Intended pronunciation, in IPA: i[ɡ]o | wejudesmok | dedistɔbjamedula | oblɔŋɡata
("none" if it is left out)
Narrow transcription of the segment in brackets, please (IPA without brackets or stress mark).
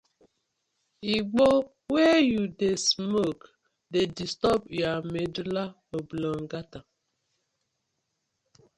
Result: ɡ͡b